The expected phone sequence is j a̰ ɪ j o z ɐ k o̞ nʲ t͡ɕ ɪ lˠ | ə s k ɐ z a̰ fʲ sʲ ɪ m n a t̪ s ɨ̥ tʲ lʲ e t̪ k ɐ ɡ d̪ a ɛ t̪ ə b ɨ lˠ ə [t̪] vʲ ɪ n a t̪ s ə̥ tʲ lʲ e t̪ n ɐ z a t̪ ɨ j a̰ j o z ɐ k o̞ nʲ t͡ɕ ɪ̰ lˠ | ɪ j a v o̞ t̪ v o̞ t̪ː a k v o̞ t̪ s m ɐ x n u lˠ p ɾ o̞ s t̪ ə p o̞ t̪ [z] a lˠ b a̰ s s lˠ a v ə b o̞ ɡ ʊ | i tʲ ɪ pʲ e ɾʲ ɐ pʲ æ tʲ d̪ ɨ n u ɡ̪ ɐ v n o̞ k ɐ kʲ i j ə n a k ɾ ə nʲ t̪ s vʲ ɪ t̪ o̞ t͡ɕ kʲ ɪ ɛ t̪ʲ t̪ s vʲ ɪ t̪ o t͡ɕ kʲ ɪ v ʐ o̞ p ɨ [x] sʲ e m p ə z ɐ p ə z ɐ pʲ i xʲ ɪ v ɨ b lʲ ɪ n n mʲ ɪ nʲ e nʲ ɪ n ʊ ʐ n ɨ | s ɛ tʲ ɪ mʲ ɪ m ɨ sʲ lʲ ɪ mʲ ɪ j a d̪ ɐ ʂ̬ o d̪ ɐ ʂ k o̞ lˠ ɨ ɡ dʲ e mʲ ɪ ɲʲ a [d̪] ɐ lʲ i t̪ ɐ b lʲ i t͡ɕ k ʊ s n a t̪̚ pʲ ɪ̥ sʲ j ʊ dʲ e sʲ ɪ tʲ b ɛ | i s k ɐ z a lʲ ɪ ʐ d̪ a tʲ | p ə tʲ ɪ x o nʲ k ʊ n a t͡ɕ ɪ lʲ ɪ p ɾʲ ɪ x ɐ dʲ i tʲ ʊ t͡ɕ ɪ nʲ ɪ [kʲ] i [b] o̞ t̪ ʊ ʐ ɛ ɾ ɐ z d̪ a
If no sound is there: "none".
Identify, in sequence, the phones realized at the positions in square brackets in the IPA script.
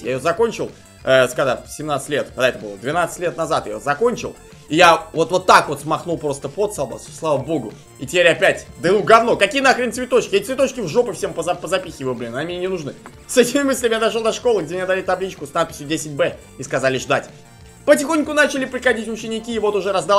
d̪, s, f, d̪, kʲ, v

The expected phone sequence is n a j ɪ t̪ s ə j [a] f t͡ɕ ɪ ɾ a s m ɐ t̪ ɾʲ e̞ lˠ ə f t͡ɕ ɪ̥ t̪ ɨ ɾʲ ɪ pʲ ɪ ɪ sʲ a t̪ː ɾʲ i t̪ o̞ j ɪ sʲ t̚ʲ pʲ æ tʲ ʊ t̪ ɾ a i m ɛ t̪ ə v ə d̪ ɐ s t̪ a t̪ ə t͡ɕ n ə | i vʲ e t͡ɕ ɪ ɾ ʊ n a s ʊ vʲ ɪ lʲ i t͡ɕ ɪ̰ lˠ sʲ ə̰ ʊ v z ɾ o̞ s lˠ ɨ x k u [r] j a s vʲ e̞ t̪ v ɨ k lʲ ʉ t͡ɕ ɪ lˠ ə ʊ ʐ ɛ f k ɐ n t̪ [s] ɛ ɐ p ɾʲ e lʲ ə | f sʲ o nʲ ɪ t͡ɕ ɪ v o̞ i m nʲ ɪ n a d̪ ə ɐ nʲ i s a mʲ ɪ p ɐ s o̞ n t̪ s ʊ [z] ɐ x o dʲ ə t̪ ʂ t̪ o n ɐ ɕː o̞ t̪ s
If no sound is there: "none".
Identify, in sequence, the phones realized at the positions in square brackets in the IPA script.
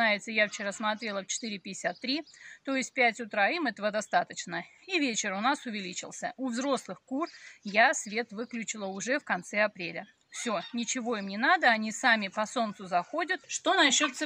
a, r, s, z

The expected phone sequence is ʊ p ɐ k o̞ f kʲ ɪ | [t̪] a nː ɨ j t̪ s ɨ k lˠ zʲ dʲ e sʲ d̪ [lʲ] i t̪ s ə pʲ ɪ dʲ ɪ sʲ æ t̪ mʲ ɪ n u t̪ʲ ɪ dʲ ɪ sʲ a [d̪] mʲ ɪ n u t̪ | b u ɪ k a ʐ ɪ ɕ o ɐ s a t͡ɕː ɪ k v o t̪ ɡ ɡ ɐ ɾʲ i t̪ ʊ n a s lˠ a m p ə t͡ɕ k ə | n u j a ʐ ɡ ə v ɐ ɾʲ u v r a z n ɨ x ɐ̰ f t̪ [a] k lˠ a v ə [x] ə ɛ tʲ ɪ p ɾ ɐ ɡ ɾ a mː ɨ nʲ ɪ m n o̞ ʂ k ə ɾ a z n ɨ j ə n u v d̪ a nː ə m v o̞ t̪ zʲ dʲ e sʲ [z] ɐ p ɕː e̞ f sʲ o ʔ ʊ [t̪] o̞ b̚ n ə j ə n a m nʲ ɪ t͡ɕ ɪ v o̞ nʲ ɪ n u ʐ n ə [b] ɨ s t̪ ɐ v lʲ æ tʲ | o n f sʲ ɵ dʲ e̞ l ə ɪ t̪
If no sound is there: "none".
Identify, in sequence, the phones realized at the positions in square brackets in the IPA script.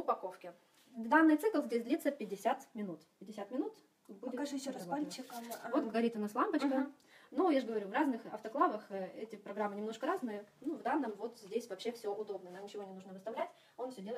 d̪, lʲ, t̪, ɐ, x, v, d̪, v

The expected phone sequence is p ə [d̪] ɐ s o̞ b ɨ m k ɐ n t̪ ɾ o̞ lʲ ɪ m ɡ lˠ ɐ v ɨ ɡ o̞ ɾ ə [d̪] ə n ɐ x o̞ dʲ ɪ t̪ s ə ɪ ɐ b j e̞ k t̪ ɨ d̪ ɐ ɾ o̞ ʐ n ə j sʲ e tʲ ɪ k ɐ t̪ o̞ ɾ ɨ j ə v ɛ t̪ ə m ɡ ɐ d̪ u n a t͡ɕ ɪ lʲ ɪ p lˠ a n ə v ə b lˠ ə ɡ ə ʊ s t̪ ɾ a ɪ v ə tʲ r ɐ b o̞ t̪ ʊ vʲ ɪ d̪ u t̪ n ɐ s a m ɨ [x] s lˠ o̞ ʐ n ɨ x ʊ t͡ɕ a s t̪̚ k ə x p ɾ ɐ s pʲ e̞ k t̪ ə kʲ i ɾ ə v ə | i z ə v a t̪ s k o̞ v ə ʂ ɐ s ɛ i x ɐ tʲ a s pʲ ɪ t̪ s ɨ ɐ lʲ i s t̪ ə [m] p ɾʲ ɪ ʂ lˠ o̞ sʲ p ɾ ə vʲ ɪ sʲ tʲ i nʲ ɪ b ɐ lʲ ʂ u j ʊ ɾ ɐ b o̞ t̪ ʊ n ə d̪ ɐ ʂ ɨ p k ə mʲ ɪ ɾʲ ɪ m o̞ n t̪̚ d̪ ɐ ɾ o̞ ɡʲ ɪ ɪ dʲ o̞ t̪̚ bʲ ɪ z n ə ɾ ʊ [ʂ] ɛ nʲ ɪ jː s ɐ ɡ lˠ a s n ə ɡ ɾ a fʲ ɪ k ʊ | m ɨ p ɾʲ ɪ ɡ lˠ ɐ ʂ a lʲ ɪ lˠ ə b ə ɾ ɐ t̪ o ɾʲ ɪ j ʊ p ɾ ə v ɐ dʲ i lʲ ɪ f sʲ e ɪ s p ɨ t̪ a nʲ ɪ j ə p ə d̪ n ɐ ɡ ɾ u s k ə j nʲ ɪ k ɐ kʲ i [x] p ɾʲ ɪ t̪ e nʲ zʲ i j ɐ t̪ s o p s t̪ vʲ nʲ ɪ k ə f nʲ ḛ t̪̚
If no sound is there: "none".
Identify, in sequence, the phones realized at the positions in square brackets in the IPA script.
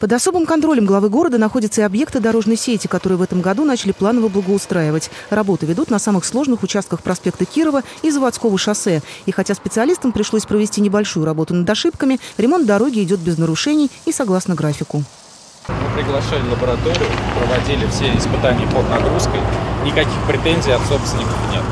d̪, d̪, x, m, ʂ, x

